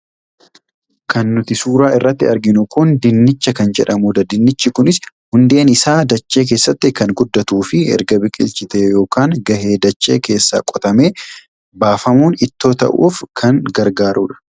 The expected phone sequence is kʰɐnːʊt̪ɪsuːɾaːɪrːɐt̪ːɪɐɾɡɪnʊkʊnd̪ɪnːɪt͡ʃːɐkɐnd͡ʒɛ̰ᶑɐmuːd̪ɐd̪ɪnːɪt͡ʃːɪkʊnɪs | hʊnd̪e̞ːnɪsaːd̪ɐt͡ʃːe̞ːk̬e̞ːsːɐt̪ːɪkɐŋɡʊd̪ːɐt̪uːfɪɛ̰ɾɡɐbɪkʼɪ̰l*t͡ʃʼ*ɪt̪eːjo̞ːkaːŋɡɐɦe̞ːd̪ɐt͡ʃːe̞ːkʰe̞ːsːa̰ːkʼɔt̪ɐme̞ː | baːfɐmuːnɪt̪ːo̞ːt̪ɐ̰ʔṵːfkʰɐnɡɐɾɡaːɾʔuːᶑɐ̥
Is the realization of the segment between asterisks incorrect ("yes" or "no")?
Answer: yes